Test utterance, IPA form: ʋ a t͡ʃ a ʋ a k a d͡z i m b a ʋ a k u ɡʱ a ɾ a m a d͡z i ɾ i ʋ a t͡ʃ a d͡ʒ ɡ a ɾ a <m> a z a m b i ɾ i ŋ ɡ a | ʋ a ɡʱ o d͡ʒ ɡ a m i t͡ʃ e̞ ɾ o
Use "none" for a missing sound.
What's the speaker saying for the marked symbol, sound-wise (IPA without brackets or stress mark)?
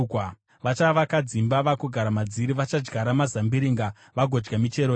m